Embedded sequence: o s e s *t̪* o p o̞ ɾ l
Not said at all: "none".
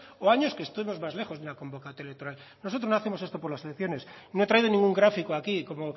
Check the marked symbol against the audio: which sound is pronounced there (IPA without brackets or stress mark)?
t̪